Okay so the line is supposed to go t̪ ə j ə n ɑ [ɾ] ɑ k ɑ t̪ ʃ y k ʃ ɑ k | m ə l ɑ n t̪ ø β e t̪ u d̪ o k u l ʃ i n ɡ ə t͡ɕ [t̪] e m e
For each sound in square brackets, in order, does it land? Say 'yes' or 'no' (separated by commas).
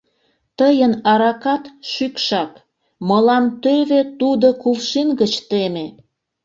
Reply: yes, yes